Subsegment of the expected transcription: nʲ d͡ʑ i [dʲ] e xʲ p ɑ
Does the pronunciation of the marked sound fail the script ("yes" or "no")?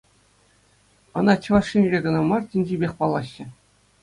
yes